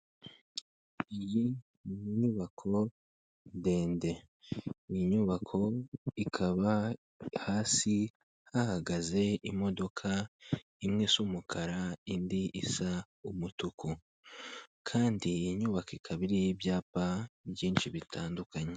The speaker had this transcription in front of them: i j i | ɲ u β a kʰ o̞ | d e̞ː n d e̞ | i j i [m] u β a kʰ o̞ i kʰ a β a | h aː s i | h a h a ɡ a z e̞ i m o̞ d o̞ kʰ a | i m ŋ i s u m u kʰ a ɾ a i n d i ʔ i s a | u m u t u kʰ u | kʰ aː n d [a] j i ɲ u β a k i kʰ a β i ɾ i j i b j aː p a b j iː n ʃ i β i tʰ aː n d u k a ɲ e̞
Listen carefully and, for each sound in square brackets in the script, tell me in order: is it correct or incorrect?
incorrect: ɲ, incorrect: i

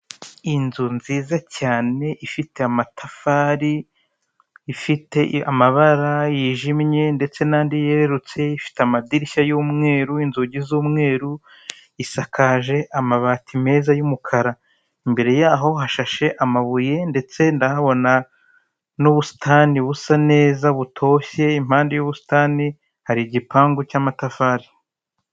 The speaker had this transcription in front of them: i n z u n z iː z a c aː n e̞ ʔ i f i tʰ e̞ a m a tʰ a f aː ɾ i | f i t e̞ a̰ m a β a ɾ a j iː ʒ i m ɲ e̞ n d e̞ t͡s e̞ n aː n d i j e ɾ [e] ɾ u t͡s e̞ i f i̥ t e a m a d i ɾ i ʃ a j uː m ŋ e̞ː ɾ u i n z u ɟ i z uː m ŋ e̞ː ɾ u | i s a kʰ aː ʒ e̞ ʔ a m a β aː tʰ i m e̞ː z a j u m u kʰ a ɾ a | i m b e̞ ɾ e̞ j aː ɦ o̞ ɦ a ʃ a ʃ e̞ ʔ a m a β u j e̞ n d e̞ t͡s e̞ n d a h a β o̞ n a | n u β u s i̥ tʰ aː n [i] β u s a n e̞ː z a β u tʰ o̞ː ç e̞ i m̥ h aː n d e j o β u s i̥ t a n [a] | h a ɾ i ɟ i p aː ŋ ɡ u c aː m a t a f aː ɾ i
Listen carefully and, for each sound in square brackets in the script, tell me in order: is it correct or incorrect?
correct, correct, incorrect: i

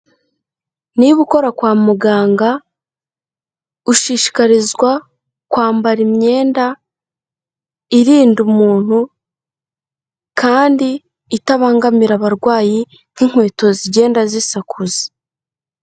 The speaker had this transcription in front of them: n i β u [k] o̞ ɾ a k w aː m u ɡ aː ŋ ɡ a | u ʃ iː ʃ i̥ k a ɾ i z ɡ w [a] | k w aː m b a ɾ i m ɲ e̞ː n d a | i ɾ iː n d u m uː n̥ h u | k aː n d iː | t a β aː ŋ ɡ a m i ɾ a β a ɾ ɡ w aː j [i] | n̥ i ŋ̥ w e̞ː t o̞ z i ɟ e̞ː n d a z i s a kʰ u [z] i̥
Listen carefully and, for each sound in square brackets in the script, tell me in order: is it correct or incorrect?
correct, correct, correct, correct

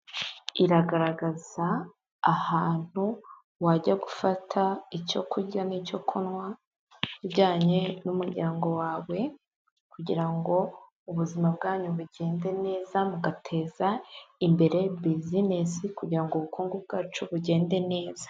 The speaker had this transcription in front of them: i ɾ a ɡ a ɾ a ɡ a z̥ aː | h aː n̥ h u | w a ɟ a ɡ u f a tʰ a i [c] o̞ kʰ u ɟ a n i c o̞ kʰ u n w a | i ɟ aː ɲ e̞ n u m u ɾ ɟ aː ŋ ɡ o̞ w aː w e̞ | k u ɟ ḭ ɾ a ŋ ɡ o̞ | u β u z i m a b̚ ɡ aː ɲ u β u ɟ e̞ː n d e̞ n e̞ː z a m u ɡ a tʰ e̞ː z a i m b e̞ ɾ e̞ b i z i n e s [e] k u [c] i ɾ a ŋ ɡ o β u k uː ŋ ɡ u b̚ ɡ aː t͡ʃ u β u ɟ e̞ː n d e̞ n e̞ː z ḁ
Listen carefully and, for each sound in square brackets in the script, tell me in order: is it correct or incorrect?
correct, incorrect: i, incorrect: ɟ

